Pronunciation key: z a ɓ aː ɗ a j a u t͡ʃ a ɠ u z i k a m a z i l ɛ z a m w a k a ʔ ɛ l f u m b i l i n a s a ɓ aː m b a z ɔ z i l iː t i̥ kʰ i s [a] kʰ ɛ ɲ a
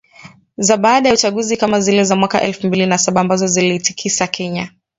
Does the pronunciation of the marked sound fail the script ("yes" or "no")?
no